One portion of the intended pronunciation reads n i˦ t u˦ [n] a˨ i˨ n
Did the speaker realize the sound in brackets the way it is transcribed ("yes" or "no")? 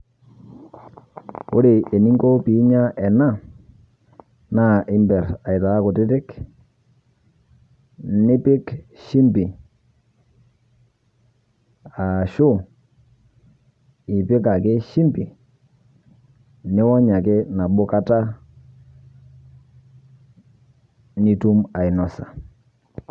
no